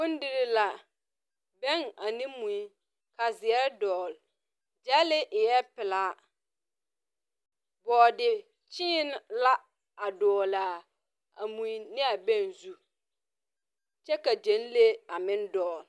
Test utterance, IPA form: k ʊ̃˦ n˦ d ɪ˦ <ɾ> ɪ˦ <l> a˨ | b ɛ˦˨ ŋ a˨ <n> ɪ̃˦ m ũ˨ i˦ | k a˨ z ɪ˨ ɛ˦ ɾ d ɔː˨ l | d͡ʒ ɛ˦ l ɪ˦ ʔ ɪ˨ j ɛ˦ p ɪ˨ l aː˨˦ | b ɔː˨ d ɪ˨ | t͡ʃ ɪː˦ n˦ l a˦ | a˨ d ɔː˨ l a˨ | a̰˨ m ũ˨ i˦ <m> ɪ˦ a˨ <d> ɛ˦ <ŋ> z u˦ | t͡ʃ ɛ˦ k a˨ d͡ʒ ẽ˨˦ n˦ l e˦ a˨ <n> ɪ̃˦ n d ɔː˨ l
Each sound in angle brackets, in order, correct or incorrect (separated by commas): correct, correct, correct, incorrect, incorrect, incorrect, incorrect